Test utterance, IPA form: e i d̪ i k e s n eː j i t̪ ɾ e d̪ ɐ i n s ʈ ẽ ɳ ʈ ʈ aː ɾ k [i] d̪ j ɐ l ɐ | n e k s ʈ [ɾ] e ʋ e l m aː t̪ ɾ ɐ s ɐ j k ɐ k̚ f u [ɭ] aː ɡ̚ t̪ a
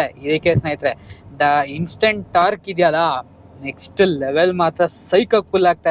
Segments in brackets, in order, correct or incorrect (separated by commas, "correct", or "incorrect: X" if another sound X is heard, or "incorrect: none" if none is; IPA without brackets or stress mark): correct, incorrect: l, incorrect: l